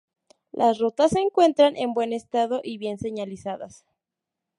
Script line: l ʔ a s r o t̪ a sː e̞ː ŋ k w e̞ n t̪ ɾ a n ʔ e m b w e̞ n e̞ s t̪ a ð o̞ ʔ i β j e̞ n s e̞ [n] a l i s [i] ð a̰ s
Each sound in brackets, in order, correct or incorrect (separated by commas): incorrect, incorrect